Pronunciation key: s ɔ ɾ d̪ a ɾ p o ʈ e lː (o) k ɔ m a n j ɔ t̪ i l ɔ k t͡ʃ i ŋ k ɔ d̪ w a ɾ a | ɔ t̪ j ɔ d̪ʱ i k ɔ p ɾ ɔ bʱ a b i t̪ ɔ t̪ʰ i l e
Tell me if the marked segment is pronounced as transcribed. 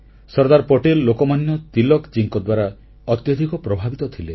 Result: yes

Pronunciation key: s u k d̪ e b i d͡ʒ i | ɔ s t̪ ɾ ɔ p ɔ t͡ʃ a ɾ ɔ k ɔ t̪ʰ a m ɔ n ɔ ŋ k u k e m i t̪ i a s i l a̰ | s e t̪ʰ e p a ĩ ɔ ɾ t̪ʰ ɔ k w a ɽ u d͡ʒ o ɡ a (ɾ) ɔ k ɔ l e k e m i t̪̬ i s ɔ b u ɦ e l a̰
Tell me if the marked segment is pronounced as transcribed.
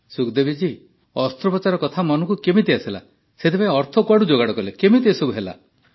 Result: no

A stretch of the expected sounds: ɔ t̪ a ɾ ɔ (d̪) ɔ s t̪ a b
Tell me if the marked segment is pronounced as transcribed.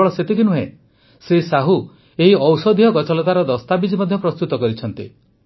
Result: yes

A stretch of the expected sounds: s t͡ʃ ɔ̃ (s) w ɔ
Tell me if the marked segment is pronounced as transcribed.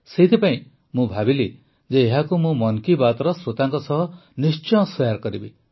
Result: yes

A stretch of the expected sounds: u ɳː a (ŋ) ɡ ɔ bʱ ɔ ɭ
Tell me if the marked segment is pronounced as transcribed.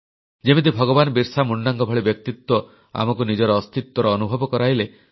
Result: yes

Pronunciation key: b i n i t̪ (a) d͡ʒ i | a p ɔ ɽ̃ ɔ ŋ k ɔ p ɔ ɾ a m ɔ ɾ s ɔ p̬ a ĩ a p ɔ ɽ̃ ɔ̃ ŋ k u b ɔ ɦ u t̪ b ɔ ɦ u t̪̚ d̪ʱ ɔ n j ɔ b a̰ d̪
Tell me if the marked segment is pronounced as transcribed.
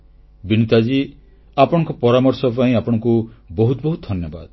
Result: yes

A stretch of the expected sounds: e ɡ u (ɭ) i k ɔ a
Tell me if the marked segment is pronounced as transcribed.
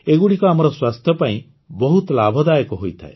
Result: no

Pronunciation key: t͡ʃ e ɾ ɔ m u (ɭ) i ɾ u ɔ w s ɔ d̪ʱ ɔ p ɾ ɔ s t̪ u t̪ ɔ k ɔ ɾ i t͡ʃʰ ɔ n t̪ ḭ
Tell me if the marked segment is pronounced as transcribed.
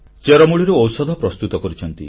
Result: yes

